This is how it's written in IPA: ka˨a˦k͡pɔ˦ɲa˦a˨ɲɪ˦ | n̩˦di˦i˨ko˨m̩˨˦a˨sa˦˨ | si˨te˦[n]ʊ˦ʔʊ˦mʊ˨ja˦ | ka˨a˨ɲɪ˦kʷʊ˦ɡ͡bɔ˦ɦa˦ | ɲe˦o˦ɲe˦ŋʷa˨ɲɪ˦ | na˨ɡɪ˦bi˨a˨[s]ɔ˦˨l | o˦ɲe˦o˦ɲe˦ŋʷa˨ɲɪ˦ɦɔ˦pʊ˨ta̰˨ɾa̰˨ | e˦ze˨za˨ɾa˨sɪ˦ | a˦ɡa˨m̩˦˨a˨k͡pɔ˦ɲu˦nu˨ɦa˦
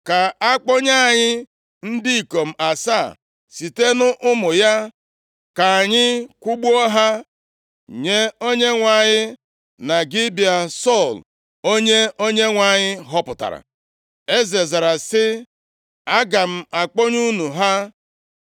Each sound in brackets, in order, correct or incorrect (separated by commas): correct, correct